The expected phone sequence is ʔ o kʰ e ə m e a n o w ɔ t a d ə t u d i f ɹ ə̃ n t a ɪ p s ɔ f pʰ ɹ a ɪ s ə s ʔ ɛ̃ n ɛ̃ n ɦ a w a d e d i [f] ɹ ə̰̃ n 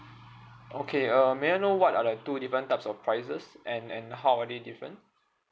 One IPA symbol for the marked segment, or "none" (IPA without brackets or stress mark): f